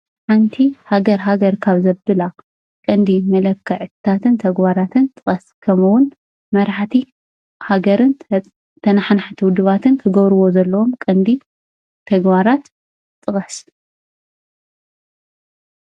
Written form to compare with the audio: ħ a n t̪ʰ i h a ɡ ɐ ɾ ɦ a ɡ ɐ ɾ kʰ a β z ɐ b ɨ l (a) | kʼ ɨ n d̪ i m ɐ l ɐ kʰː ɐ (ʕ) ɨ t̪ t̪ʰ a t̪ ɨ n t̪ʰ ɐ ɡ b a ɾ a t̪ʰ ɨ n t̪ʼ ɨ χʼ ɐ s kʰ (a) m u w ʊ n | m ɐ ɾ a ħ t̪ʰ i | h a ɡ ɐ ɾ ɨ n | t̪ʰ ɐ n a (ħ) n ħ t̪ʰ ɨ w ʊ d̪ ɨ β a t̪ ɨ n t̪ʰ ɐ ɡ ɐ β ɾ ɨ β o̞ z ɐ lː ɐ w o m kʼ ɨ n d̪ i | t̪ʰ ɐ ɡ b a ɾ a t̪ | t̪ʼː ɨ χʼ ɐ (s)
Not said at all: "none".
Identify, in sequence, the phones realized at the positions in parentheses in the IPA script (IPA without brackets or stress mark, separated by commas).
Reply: a, ʕ, ɐ, ħ, s